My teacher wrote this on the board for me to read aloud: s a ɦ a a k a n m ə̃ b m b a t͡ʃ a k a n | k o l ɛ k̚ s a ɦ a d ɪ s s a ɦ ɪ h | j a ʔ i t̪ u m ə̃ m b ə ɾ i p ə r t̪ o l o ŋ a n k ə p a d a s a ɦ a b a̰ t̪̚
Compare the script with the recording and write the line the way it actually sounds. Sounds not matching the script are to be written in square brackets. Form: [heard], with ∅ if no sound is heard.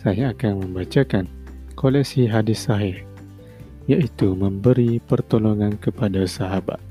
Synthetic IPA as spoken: s a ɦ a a k a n m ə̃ [∅] m b a t͡ʃ a k a n | k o l ɛ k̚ s [i] ɦ a d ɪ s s a ɦ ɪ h | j a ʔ i t̪ u m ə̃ m b ə ɾ i p ə r t̪ o l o ŋ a n k ə p a d a s a ɦ a b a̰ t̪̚